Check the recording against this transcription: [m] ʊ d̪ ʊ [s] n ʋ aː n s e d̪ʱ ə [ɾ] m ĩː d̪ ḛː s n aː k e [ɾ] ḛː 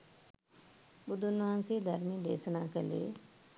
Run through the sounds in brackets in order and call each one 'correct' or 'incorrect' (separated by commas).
incorrect, incorrect, correct, incorrect